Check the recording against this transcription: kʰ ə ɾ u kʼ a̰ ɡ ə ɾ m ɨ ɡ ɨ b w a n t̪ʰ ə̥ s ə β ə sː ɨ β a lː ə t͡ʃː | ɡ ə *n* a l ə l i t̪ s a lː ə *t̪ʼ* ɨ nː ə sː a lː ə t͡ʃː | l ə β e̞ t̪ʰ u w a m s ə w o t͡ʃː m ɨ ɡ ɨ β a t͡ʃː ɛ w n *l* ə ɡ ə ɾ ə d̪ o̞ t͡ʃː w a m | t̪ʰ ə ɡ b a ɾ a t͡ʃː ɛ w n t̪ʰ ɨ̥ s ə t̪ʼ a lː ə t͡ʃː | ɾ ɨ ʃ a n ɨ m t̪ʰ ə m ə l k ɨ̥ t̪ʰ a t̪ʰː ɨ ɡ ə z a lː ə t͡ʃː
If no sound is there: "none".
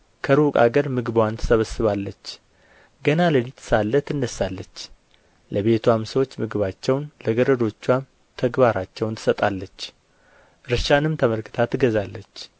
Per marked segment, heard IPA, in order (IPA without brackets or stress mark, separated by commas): n, t̪, l